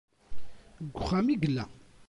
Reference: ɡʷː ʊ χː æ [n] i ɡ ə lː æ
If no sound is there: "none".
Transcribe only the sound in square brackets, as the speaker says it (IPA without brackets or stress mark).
m